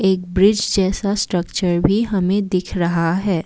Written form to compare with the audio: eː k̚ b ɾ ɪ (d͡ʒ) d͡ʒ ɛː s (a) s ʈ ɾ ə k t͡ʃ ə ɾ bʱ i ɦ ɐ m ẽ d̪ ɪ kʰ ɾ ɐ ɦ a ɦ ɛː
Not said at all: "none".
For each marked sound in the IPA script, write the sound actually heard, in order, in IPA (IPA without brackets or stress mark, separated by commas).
d͡ʒ, a